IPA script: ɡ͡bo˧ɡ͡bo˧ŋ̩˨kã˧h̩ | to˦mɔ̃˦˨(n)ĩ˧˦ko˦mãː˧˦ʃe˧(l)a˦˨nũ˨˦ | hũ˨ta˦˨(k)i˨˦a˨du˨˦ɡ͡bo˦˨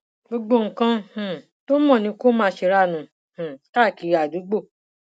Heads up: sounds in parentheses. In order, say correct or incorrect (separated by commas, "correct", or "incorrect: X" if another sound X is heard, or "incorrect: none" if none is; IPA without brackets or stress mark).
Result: correct, incorrect: ɾ, correct